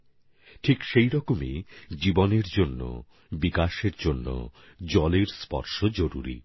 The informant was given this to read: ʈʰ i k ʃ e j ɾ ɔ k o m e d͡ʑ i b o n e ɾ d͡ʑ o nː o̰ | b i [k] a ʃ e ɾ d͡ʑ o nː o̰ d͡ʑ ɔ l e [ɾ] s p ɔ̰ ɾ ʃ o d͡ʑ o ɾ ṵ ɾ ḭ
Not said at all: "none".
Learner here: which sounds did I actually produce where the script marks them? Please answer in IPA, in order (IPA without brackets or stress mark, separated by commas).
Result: k, ɾ